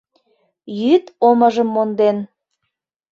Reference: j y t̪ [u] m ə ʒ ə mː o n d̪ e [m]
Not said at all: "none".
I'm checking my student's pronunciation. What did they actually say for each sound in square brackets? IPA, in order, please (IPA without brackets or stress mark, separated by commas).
o, n